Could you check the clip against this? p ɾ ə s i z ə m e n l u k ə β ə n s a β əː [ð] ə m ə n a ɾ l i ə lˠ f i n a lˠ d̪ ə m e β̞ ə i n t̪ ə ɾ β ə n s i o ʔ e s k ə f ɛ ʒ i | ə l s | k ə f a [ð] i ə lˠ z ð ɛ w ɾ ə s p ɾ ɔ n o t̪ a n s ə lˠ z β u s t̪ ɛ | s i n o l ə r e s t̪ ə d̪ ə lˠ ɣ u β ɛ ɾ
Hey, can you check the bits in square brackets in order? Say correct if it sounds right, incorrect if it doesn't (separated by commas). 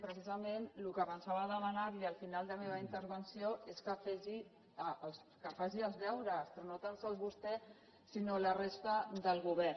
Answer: correct, incorrect